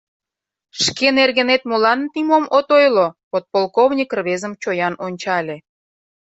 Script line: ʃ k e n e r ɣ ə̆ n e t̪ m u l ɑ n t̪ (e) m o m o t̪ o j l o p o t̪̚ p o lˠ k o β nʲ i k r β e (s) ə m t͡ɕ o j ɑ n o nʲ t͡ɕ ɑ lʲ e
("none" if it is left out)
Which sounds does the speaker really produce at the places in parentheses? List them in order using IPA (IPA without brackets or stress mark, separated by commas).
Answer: i, z